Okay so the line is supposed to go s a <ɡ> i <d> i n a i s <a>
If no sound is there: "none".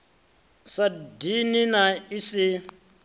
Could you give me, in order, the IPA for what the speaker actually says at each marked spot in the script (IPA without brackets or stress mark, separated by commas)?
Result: d, n, i